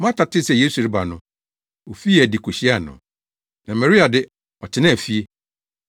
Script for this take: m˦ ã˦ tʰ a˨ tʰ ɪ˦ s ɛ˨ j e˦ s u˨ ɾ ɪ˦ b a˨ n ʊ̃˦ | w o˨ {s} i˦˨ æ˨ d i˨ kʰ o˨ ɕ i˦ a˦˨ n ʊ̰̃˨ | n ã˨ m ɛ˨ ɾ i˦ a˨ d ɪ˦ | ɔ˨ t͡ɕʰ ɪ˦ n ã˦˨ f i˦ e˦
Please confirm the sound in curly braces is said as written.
no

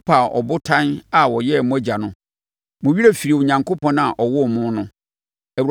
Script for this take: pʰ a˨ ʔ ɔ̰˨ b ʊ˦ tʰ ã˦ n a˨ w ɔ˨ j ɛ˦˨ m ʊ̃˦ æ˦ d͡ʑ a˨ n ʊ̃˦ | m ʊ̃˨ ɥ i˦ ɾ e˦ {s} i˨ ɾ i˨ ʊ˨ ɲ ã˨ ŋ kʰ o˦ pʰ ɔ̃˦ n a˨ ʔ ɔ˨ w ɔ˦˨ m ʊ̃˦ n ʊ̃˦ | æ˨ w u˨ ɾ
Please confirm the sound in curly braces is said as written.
no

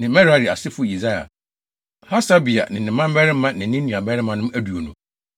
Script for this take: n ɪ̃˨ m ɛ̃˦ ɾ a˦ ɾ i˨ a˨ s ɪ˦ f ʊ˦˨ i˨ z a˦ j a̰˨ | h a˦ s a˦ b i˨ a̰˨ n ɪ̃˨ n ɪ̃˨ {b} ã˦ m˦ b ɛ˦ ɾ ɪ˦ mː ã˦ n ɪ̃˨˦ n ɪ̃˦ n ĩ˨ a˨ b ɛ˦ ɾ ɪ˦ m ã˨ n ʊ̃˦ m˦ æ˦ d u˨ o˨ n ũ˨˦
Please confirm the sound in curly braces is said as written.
no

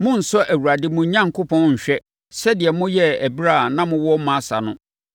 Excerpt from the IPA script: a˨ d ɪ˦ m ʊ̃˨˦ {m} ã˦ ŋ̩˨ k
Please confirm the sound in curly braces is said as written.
no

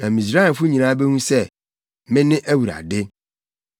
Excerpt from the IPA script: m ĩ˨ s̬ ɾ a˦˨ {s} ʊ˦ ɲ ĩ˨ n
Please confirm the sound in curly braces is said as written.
no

